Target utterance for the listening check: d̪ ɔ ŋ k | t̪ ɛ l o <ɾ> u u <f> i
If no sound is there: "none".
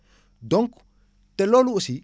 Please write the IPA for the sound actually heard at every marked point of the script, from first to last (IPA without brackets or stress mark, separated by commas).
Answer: l, s